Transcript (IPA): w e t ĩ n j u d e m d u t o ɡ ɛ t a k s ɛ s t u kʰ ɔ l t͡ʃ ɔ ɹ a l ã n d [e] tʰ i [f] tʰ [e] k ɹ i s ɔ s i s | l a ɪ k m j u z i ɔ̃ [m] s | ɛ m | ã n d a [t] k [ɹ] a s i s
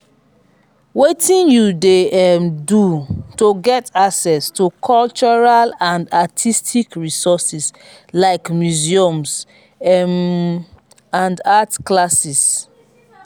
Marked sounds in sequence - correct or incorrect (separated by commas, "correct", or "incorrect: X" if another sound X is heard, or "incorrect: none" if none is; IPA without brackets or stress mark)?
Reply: incorrect: a, incorrect: s, incorrect: i, correct, correct, incorrect: l